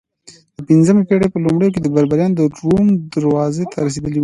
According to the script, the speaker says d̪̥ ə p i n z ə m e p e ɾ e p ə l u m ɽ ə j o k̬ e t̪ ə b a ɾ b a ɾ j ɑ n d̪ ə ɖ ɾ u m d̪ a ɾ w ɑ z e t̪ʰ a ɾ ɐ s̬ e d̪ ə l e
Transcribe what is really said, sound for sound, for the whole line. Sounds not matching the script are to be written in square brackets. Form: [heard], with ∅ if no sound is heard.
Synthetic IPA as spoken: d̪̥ ə p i n z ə m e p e [ɽ] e p ə l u m ɽ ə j o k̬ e [d̪] ə b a ɾ b a ɾ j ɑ n d̪ ə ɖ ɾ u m d̪ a ɾ w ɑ z e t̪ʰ a ɾ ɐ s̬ e d̪ ə l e